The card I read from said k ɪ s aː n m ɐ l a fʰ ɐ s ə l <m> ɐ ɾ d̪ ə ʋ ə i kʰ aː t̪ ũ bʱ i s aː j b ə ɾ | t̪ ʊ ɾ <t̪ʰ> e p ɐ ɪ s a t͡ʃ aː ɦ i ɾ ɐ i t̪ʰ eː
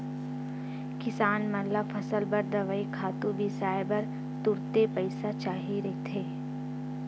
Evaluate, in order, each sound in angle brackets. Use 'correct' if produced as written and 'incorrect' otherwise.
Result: incorrect: b, incorrect: t̪

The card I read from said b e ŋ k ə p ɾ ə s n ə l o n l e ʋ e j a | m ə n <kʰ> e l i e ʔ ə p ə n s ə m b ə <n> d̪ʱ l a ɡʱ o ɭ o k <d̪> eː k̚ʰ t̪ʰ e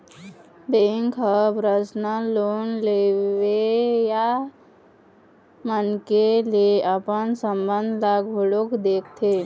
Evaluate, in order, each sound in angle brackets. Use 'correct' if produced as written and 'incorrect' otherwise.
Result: incorrect: k, correct, correct

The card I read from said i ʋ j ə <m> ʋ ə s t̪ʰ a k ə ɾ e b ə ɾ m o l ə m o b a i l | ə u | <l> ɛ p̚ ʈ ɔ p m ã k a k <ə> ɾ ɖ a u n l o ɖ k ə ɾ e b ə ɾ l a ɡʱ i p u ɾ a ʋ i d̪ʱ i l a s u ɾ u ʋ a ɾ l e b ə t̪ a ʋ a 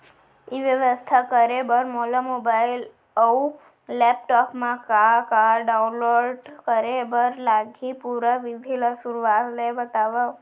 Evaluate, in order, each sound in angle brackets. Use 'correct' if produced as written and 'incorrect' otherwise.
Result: incorrect: none, correct, incorrect: a

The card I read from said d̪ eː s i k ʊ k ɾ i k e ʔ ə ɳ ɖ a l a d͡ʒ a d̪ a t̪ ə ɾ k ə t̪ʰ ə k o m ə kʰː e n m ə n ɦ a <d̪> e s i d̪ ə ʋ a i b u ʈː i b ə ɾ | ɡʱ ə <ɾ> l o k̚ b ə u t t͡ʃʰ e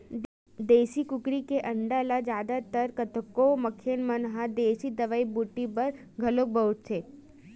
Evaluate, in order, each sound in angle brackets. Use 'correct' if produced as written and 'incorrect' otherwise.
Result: correct, incorrect: none

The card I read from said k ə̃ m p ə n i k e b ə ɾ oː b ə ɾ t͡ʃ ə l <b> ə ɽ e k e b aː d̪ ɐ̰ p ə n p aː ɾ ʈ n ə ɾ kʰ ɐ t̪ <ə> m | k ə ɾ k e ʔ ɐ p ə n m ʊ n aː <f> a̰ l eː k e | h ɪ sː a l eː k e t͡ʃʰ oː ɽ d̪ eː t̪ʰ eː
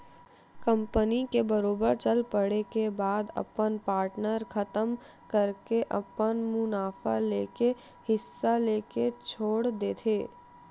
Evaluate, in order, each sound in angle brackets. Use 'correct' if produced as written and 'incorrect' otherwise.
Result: incorrect: p, correct, correct

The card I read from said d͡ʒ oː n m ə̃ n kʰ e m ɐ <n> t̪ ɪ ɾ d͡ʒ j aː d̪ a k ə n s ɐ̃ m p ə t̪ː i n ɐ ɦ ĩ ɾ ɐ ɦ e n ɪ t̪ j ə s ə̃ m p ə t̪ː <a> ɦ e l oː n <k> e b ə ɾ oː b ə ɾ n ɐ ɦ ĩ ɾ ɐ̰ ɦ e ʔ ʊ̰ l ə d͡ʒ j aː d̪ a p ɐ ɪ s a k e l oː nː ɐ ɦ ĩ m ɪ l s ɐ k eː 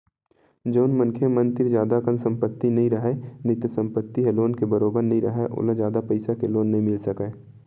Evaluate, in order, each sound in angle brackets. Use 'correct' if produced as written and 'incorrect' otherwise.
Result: correct, incorrect: i, correct

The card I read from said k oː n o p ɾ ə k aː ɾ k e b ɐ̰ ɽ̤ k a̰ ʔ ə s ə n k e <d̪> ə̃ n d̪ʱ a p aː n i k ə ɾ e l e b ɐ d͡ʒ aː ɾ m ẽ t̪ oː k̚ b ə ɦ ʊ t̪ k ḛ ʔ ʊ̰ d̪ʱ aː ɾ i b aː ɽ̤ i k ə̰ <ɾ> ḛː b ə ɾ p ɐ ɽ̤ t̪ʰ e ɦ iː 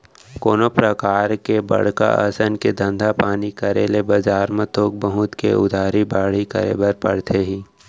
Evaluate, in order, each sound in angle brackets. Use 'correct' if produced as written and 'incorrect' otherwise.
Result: correct, correct

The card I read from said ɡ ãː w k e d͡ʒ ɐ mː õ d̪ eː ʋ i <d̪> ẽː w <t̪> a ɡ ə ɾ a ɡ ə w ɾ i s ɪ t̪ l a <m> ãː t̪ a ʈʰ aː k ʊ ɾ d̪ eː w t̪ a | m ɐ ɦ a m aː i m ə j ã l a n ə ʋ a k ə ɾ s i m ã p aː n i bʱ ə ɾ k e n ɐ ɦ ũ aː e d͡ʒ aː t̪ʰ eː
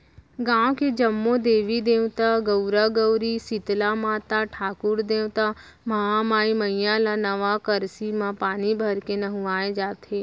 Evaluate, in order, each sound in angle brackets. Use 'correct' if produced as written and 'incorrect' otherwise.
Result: correct, correct, correct

